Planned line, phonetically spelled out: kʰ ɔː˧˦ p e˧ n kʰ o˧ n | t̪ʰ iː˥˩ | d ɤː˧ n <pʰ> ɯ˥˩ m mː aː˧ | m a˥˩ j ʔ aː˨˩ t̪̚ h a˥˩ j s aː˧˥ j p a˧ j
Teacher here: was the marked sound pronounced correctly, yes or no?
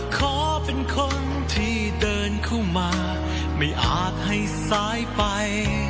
no